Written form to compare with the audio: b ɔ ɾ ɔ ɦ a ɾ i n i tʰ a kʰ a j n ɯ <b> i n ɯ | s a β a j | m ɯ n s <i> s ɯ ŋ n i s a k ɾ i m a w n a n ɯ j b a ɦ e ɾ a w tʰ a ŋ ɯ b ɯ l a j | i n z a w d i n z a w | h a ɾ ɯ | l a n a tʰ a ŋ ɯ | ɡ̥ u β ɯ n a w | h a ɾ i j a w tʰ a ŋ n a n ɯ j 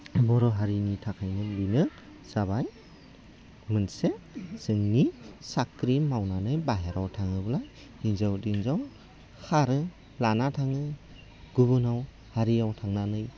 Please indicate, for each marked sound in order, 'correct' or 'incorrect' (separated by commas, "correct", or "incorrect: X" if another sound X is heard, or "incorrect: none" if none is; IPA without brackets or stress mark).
correct, incorrect: e